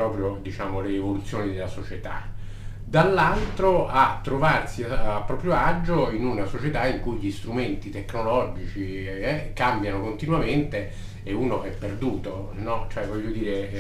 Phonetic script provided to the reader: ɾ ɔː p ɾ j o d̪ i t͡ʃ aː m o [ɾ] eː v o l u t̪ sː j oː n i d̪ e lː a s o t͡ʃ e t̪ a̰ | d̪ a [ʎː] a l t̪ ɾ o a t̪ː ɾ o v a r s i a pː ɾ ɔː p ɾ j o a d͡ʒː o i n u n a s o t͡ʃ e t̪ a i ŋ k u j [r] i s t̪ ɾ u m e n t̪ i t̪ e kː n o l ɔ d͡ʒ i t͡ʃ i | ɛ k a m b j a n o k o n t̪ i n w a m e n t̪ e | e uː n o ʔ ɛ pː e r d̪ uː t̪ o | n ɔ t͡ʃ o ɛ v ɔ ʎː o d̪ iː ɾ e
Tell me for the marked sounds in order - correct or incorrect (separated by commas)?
incorrect, incorrect, incorrect